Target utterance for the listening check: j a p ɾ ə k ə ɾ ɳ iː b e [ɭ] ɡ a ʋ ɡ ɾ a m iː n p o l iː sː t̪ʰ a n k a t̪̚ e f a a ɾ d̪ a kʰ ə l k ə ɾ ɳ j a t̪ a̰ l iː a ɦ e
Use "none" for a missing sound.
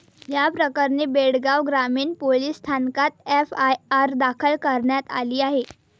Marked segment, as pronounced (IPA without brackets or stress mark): ɽ